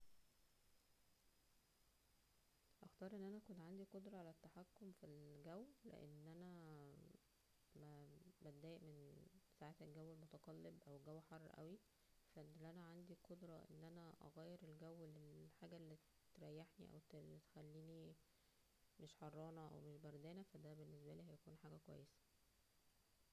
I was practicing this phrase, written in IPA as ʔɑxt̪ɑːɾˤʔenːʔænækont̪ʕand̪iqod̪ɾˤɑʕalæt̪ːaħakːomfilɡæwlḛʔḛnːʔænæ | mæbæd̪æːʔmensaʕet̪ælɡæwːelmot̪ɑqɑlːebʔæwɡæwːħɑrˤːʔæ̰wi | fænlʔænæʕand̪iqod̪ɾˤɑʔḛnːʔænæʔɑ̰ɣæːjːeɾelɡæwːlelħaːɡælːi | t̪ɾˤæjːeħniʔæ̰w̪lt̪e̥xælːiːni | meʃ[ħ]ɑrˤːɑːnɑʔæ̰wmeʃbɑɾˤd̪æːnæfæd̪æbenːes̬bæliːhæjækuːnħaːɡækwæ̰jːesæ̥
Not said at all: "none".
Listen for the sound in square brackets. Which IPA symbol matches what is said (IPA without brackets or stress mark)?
ħ